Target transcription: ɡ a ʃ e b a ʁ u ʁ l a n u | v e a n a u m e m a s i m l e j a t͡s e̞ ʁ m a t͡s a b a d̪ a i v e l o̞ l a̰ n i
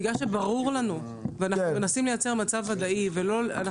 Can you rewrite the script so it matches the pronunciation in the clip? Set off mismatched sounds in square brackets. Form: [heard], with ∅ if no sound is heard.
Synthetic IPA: ɡ a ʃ e b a ʁ u ʁ l a n u | v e a n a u m e [n] a s i m l e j a t͡s e̞ ʁ m a t͡s a [v] a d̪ a i v e l o̞ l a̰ n [a]